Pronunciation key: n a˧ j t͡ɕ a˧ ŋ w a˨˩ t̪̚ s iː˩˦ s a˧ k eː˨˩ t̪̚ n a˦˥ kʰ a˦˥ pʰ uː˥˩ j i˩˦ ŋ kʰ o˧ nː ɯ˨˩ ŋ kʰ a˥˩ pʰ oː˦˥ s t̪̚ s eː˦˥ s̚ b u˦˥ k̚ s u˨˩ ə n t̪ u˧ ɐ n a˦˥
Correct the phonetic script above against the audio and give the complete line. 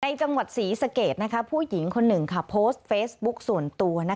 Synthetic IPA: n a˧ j t͡ɕ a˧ ŋ w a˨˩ t̪̚ s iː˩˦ s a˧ k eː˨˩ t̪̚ n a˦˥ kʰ a˦˥ pʰ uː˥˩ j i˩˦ ŋ kʰ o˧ nː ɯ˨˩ ŋ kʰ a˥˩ pʰ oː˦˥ s t̪̚ f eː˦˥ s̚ b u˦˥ k̚ s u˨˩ ə n t̪ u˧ ɐ n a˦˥